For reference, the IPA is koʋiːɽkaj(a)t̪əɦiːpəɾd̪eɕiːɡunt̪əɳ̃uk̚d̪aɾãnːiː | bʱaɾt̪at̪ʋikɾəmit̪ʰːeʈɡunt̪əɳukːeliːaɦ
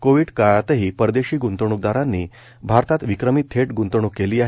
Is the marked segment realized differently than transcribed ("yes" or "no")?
no